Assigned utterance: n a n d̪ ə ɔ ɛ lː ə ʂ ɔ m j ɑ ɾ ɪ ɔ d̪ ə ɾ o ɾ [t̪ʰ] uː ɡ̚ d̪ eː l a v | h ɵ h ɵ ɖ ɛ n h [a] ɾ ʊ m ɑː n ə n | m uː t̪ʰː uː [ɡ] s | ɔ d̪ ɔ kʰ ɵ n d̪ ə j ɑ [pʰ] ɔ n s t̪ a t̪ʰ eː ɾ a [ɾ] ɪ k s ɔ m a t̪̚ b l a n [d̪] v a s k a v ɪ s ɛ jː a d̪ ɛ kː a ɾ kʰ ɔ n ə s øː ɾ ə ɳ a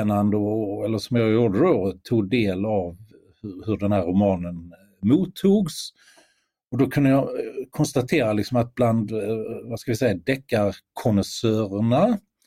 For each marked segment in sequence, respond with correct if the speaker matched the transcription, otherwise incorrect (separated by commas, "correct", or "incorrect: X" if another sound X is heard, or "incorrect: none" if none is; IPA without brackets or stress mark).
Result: correct, incorrect: æ, correct, incorrect: kʰ, incorrect: l, correct